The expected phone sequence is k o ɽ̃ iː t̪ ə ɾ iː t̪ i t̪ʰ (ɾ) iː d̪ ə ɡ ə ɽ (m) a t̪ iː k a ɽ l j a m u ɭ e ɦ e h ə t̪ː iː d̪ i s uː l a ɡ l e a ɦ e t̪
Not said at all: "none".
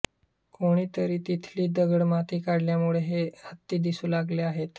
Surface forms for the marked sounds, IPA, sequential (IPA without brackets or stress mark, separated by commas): l, m